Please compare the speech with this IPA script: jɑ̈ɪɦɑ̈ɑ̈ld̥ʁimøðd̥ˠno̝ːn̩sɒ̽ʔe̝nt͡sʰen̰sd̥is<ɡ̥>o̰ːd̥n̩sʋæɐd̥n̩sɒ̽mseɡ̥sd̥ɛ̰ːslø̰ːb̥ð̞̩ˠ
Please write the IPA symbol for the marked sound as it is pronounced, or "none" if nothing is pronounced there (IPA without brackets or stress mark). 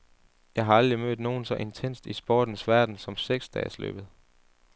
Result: b̥